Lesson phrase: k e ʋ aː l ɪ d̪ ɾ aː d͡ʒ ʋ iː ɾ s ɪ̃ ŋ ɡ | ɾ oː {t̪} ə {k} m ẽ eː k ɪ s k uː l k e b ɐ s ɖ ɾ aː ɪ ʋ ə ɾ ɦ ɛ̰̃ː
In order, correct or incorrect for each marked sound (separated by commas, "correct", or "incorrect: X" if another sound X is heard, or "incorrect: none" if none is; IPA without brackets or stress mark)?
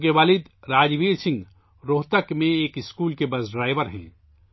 correct, correct